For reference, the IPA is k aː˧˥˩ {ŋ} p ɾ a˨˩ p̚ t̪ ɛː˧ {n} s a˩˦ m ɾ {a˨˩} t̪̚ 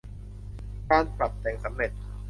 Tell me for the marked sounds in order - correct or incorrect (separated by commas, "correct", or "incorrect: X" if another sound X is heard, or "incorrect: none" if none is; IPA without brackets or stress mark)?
incorrect: n, incorrect: ŋ, incorrect: e˨˩